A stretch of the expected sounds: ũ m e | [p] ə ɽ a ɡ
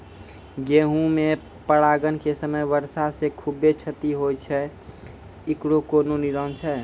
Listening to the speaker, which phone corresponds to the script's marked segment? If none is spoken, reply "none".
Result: p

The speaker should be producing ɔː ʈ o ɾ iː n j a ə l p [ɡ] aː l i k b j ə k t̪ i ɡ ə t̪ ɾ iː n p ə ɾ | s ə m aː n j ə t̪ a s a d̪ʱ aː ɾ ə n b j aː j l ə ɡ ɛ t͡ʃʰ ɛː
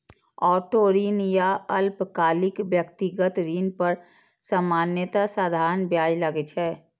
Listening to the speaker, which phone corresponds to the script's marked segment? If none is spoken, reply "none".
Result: k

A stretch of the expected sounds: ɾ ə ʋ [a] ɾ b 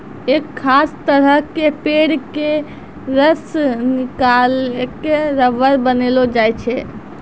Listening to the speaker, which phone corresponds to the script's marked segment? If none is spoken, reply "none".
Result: ə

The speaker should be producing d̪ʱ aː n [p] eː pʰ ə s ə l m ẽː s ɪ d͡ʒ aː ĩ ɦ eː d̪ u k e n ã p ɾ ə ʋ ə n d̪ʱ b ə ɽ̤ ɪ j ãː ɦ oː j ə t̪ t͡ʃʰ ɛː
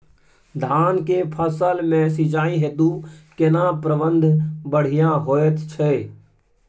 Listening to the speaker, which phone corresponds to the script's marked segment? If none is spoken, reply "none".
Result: k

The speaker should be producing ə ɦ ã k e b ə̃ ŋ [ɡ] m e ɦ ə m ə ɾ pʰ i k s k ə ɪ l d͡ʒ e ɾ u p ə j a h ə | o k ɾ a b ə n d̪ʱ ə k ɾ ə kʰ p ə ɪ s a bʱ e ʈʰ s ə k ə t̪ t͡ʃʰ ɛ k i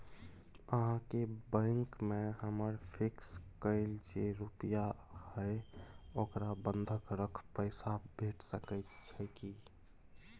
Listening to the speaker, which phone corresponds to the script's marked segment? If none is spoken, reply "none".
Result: k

